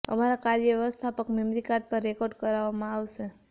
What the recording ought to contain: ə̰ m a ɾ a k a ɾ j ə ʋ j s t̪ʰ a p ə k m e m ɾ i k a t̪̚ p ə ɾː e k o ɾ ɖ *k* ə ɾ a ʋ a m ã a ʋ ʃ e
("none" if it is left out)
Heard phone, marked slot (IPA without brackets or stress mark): k